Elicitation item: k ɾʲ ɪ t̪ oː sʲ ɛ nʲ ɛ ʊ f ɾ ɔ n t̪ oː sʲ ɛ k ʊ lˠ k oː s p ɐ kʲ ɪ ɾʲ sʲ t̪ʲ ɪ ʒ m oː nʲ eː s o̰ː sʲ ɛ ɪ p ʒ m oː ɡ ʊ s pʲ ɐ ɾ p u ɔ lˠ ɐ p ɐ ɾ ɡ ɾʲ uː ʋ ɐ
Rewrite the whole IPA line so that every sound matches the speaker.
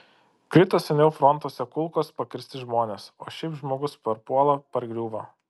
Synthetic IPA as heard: k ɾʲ ɪ t̪ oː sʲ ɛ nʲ ɛ ʊ f ɾ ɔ n t̪ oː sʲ ɛ k ʊ lˠ k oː s p ɐ kʲ ɪ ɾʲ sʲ t̪ʲ ɪ ʒ m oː nʲ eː s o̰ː ʃʲ ɛ ɪ p ʒ m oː ɡ ʊ s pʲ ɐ ɾ p u ɔ lˠ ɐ p ɐ ɾ ɡ ɾʲ uː ʋ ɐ